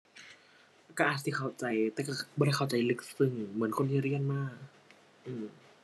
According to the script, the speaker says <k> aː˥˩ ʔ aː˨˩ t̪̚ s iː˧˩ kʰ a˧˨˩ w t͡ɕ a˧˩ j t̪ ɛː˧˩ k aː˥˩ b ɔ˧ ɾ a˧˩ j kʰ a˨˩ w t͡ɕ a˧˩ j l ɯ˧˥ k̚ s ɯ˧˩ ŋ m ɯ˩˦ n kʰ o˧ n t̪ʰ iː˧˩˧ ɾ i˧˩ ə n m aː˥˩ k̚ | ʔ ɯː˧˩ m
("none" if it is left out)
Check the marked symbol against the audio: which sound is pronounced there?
k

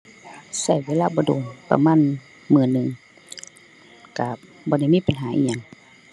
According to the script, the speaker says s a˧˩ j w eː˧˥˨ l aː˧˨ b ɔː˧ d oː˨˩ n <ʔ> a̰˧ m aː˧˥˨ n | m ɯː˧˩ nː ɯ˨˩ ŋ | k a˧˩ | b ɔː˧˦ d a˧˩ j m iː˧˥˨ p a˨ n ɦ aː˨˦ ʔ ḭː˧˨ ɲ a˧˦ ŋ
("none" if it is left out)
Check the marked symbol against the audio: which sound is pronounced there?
p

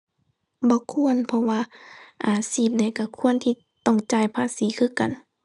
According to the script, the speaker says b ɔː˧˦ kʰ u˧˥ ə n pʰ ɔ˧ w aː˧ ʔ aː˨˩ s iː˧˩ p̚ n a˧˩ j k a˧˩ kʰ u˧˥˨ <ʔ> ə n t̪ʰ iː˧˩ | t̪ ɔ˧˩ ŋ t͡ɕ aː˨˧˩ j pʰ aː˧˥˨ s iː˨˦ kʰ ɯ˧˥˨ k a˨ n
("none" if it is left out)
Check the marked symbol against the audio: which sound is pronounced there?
none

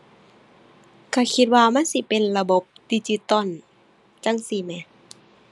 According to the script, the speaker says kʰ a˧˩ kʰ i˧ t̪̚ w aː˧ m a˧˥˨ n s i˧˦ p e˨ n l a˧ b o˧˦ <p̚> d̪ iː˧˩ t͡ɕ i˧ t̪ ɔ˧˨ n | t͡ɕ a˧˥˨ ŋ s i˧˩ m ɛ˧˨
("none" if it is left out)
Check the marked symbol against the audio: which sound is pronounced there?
p̚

